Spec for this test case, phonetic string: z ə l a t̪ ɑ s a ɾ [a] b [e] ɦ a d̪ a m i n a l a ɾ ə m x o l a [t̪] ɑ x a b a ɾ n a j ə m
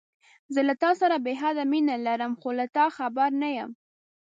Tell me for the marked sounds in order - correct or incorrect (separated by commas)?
correct, correct, correct